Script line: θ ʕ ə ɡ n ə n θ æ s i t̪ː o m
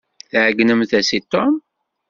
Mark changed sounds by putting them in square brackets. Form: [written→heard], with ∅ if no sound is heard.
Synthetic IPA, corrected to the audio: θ ʕ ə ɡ n ə [n→m] θ æ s i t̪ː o m